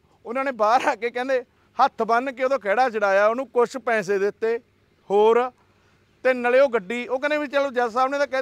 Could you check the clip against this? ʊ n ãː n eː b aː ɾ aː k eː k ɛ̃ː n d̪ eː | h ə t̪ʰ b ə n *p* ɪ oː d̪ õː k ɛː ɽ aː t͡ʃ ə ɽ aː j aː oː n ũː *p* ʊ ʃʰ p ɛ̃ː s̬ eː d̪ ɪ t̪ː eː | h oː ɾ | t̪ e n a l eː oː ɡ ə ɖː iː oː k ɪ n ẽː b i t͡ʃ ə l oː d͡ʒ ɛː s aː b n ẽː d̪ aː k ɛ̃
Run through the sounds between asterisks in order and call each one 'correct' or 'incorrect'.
incorrect: k, incorrect: k

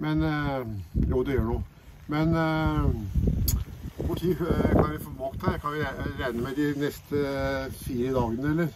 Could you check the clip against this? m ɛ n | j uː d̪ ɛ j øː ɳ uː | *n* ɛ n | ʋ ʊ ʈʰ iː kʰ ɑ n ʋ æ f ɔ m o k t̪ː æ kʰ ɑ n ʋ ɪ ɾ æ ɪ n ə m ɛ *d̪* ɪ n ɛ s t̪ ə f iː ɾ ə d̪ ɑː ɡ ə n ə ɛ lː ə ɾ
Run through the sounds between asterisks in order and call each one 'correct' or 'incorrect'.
incorrect: m, correct

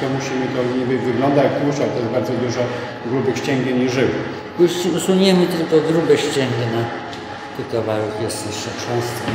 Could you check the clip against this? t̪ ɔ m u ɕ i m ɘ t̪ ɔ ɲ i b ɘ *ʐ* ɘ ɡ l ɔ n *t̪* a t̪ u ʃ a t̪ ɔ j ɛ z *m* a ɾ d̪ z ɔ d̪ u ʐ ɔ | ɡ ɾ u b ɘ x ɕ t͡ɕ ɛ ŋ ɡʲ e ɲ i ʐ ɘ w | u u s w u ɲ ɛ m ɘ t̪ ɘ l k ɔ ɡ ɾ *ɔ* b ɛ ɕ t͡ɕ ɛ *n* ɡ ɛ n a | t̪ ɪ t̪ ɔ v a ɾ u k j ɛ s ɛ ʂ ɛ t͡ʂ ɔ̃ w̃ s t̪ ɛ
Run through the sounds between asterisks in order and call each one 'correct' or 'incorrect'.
incorrect: v, incorrect: d̪, incorrect: b, incorrect: u, incorrect: ŋ

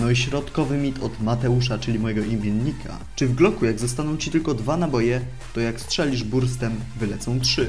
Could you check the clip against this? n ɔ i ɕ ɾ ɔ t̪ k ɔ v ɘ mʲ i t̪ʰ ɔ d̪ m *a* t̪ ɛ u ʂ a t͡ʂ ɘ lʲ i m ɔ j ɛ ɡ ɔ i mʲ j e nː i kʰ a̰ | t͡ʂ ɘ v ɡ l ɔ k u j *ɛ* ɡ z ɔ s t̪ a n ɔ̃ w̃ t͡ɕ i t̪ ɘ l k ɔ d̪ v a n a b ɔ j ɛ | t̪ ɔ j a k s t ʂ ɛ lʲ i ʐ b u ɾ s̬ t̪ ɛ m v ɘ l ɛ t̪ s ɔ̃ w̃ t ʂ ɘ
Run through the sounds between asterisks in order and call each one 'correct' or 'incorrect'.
correct, incorrect: a

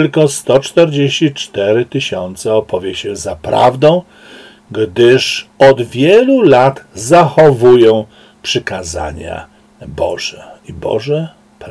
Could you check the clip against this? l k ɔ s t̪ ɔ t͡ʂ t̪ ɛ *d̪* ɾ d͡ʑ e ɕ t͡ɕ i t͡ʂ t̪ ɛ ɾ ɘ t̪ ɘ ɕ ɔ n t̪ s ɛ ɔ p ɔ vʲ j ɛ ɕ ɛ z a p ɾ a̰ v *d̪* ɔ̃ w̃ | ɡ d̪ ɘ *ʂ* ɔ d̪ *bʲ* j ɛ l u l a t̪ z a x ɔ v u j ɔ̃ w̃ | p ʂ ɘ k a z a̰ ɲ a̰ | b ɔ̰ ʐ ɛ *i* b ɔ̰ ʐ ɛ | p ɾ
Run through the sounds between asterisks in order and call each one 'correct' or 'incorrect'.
incorrect: none, correct, correct, incorrect: vʲ, correct

